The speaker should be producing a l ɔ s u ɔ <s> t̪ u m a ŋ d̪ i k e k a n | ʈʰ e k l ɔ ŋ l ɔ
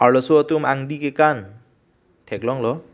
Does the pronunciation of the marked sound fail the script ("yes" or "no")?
yes